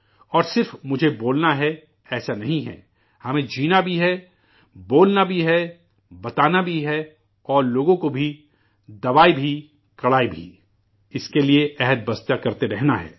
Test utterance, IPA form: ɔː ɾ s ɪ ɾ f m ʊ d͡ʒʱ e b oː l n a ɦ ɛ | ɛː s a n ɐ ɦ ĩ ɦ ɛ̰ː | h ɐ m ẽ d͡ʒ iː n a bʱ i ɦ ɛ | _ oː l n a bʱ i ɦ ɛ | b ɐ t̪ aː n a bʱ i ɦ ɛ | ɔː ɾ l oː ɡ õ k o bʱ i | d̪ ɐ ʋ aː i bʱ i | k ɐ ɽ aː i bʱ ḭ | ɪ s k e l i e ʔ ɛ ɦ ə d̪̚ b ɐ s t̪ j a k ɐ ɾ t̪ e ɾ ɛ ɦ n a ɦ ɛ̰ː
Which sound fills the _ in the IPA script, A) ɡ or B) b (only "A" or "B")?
B